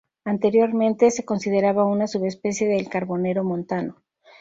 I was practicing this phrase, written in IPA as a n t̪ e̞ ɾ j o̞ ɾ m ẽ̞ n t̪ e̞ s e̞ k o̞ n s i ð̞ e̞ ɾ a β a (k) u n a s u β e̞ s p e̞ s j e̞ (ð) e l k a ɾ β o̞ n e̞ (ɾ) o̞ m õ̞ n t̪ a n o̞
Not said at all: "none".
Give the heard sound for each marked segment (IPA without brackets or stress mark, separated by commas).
none, ð, ɾ